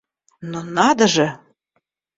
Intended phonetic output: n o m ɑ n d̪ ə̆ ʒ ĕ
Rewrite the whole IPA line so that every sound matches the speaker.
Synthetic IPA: n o n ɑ d̪ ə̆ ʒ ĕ

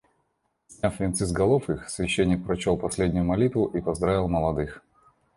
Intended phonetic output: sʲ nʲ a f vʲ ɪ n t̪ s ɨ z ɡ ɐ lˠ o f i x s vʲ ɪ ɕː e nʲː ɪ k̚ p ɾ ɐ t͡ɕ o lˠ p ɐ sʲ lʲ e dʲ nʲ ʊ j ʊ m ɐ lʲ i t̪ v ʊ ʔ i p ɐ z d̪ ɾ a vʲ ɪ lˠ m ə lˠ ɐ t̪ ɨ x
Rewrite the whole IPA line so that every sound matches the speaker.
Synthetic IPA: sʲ nʲ a f vʲ ɪ n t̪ s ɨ z ɡ ɐ lˠ o f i x s vʲ ɪ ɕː e nʲː ɪ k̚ p ɾ ɐ t͡ɕ o lˠ p ɐ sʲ lʲ e dʲ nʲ ʊ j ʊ m ɐ lʲ i t̪ v ʊ ʔ i p ɐ z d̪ ɾ a vʲ ɪ lˠ m ə lˠ ɐ d̪ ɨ x

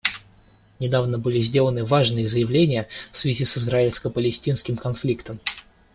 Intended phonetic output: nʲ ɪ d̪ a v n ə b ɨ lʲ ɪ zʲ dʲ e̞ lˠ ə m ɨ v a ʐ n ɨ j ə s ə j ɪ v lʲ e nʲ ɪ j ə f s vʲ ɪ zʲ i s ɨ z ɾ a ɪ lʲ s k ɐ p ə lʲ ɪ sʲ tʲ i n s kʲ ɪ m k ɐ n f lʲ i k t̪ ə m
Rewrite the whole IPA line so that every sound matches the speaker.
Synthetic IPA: nʲ ɪ d̪ a v n ə b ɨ lʲ ɪ zʲ dʲ e̞ lˠ ə n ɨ v a ʐ n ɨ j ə z ə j ɪ v lʲ e nʲ ɪ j ə f s vʲ ɪ zʲ i s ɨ z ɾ a ɪ lʲ s k ə p ə lʲ ɪ sʲ tʲ i n s kʲ ɪ m k ɐ n f lʲ i k t̪ ə m

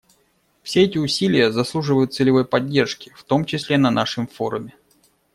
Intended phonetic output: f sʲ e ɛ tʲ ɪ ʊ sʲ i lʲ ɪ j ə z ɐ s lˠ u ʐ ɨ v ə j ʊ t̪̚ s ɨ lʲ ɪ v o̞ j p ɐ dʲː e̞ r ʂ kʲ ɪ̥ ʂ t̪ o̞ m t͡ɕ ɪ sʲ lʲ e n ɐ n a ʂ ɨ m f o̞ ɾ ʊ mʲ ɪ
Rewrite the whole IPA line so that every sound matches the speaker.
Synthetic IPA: f sʲ e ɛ tʲ ɪ ʊ sʲ i lʲ ɪ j ə z ɐ s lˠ u ʐ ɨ v ə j ʊ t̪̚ s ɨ lʲ ɪ v o̞ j p ɐ dʲː e̞ r ʂ kʲ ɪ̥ f t̪ o̞ m t͡ɕ ɪ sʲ lʲ e n ɐ n a ʂ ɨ m f o̞ ɾ ʊ mʲ ɪ

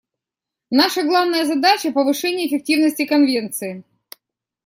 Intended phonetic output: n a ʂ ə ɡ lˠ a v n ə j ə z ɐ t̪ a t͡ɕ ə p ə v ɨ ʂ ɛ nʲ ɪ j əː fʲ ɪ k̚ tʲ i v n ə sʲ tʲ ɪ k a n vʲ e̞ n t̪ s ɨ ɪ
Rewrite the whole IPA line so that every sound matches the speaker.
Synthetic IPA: n a ʂ ə ɡ lˠ a v n ə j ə z ɐ d̪ a t͡ɕ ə p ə v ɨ ʂ ɛ nʲ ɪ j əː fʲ ɪ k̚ tʲ i v n ə sʲ tʲ ɪ k ɐ n vʲ e̞ n t̪ s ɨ ɪ

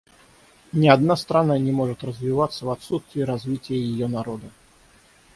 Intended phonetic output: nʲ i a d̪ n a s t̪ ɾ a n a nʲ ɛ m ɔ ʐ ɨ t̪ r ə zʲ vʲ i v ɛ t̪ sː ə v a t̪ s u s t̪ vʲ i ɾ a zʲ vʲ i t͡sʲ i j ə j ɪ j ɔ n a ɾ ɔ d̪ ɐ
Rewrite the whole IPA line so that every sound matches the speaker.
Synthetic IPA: nʲ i a d̪ n a s t̪ ɾ a n a nʲ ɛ m ɔ ʐ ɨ t̪ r ə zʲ vʲ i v a t̪ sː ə v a t̪ s u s t̪ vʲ i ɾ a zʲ vʲ i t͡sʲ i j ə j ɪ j ɔ n a ɾ ɔ d̪ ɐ

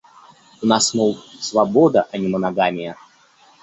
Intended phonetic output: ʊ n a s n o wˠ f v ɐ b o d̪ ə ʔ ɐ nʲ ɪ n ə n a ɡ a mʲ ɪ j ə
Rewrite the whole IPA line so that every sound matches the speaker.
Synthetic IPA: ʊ n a s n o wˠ s v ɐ b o d̪ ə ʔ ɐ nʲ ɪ m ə n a ɡ a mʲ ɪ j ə

